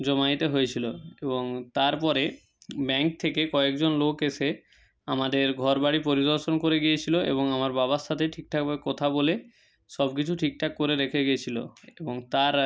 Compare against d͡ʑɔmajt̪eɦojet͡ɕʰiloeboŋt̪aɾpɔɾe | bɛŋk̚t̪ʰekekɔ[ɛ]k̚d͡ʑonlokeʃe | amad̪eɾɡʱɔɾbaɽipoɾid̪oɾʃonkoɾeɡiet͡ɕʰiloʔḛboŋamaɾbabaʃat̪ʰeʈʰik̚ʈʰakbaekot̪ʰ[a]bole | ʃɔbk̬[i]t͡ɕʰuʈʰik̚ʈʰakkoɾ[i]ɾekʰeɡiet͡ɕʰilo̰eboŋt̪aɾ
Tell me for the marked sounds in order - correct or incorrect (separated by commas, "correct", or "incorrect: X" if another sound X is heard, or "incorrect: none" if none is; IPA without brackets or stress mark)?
incorrect: e, correct, correct, incorrect: e